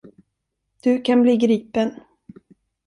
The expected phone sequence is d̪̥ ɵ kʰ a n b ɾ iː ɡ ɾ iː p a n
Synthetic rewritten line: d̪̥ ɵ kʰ a n b l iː ɡ ɾ iː p ə n

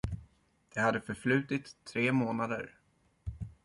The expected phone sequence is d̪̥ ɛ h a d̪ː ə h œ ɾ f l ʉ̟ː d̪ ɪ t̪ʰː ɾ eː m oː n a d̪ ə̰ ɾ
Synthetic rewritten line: d̪̥ ɛ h a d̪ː ə f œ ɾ f l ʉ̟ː t̪ ɪ t̪ʰː ɾ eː m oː n a d̪ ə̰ ɾ

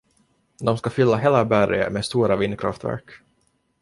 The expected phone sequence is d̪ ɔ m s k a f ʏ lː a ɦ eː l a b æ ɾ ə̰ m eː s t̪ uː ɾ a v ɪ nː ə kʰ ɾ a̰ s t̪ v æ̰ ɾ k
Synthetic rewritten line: d̪ ɔ m s k a f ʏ lː a ɦ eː l a b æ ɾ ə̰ m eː s t̪ uː ɾ a v ɪ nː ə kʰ ɾ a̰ f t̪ v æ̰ ɾ k

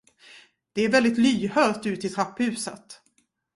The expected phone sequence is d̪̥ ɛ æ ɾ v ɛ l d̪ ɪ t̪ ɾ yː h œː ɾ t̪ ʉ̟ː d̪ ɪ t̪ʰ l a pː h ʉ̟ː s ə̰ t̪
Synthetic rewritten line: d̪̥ ɛ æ ɾ v ɛ l d̪ ɪ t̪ l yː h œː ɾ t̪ ʉ̟ː t̪ ɪ t̪ʰ ɾ a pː h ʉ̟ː s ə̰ t̪

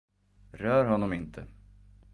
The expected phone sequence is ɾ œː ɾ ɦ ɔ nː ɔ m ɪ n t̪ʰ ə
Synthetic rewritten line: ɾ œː ɾ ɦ ɔ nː ɔ m ɪ n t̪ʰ ə

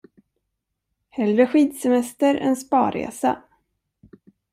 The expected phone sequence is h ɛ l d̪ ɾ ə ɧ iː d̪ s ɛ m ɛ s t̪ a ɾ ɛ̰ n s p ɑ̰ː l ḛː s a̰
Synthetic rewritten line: h ɛ l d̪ ɾ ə ɧ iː d̪ s ɛ m ɛ s t̪ ə ɾ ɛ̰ n s p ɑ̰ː ɾ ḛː s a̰

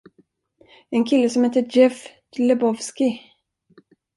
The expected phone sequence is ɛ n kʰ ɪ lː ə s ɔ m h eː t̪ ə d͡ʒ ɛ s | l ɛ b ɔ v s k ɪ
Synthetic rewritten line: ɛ n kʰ ɪ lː ə s ɔ m h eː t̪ ə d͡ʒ ɛ f | l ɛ b ɔ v s k ɪ

